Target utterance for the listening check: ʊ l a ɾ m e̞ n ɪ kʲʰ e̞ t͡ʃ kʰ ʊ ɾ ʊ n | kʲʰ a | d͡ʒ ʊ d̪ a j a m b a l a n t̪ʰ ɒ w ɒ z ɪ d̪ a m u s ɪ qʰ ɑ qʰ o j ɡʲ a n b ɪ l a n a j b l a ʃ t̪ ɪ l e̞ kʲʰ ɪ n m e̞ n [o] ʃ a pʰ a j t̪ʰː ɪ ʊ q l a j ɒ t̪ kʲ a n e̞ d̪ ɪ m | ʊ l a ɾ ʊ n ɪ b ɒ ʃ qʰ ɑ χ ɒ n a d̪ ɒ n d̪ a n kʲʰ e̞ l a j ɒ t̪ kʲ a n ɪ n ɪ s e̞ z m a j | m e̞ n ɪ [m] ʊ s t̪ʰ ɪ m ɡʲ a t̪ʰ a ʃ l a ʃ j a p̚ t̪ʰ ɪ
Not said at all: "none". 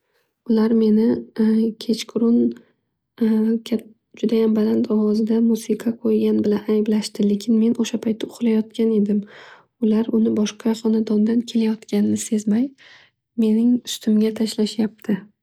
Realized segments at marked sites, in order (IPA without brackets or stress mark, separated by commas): o, ŋ